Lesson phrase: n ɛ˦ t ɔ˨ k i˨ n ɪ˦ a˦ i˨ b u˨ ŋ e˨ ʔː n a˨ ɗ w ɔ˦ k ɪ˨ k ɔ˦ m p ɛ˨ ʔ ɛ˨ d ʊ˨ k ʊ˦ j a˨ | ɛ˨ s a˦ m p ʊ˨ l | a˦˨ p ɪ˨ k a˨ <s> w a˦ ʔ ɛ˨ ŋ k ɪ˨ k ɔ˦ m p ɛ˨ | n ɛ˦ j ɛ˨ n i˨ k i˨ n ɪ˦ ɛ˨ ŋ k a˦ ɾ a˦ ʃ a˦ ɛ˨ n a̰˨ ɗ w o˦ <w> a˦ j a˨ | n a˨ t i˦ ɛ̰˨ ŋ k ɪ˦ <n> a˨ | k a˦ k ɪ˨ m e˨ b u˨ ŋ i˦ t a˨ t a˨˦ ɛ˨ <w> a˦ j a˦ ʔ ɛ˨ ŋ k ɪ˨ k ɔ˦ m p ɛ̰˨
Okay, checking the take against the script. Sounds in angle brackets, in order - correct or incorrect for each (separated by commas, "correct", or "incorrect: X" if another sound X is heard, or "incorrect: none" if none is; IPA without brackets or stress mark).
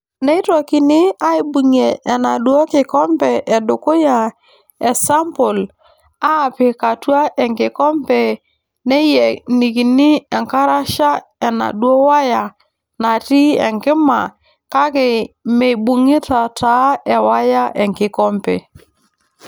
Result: incorrect: t, correct, incorrect: m, correct